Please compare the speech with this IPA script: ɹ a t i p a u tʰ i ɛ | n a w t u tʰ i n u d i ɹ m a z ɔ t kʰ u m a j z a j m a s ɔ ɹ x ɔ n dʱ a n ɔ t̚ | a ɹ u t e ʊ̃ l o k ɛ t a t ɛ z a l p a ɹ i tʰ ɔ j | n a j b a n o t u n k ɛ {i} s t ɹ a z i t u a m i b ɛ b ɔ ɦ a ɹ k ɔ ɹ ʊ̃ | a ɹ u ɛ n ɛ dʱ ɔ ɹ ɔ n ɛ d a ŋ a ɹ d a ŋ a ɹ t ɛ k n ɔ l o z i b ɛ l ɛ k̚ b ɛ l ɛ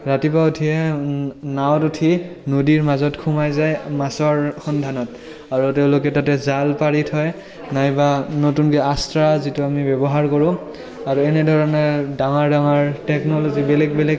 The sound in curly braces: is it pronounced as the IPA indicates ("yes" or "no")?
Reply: no